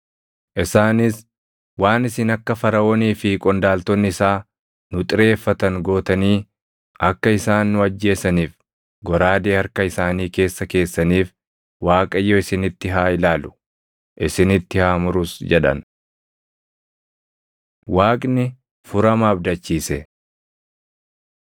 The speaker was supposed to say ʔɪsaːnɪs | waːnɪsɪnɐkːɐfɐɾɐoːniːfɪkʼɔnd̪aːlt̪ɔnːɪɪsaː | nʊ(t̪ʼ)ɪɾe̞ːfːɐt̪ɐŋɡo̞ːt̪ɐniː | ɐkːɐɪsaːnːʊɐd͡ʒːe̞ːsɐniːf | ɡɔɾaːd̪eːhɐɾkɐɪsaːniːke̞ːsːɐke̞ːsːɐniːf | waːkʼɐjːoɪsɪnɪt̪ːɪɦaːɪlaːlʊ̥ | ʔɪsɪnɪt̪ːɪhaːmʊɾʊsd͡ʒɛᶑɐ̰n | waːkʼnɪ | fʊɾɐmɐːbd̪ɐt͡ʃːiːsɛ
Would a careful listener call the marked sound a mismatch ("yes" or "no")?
no